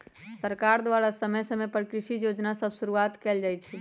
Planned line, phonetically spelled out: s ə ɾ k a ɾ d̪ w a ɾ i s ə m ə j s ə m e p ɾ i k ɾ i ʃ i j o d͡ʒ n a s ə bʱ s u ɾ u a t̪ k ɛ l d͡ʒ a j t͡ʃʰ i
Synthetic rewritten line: s ə ɾ k a ɾ d̪ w a ɾ a s ə m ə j s ə m e p ɾ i k ɾ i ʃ i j o d͡ʒ n a s ə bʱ s u ɾ u a t̪ k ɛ l d͡ʒ a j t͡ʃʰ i

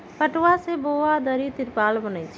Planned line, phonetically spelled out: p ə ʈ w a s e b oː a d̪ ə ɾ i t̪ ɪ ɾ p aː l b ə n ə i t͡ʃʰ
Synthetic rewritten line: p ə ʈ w a s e b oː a d̪ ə ɾ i t̪ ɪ ɾ p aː l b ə n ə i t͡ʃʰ

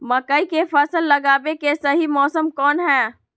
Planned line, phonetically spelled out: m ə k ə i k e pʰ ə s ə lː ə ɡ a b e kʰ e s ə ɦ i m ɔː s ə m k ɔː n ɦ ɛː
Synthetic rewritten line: m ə k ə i k e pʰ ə s ə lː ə ɡ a b e k e s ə ɦ i m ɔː s ə m k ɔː n ɦ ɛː

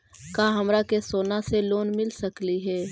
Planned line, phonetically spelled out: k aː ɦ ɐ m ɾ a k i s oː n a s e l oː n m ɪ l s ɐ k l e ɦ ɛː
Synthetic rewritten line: k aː ɦ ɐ m ɾ a k e s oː n a s e l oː n m ɪ l s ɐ k l i ɦ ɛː

